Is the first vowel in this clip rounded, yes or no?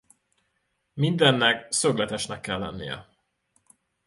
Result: no